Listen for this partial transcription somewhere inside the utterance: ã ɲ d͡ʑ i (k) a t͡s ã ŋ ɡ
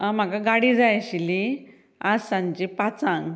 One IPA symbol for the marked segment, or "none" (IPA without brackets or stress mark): p